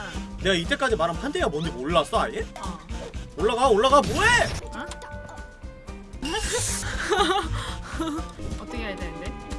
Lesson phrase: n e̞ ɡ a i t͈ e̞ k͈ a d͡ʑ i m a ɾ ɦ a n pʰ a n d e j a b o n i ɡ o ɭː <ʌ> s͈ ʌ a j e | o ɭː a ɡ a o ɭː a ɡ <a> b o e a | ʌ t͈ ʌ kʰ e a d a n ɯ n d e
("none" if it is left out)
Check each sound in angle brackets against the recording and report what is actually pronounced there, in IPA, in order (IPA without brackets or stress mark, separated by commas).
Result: a, a